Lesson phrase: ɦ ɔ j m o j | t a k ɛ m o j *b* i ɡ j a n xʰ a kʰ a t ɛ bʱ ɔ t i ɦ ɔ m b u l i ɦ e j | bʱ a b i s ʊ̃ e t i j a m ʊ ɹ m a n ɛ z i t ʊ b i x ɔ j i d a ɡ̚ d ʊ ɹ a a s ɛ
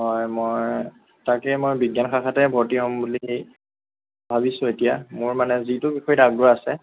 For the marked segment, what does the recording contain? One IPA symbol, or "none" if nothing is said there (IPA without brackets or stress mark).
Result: b